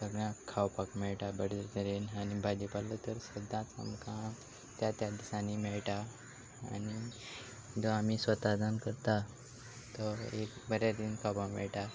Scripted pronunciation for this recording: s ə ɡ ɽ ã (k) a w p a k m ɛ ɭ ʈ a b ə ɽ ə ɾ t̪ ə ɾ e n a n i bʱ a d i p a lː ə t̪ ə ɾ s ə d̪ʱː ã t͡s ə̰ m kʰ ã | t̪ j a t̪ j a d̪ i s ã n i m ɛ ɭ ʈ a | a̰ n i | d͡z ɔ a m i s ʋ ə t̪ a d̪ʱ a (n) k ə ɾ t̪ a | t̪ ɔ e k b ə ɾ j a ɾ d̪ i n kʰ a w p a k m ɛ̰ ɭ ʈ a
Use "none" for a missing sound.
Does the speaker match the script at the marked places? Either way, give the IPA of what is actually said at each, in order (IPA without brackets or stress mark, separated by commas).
kʰ, n